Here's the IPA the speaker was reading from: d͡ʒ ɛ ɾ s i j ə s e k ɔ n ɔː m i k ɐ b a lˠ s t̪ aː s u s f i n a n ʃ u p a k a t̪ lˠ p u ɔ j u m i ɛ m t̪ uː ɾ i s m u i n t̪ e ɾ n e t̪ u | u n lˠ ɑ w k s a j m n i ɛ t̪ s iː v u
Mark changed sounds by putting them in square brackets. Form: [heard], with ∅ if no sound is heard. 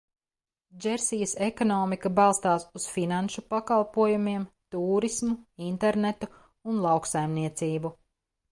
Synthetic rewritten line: d͡ʒ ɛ ɾ s i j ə s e k ɔ n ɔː m i k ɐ b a lˠ s t̪ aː s u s f i n a n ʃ u p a k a [∅] lˠ p u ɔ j u m i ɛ m t̪ uː ɾ i s m u i n t̪ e ɾ n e t̪ u | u n lˠ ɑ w k s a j m n i ɛ t̪ s iː [b] u